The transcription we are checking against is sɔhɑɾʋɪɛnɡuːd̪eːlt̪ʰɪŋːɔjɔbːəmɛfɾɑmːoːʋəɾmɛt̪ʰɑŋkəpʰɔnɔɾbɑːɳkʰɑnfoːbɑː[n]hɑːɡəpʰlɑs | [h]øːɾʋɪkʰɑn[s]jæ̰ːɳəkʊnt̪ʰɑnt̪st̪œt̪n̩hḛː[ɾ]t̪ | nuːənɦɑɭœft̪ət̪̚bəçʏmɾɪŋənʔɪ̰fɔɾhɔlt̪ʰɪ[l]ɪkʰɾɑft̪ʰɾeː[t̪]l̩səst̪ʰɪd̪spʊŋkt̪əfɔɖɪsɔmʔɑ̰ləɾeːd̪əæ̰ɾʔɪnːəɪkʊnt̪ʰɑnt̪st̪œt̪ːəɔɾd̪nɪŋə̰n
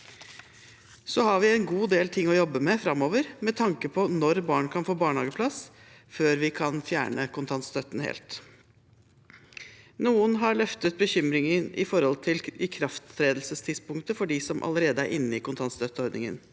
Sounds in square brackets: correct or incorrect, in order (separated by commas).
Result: incorrect, incorrect, incorrect, incorrect, correct, incorrect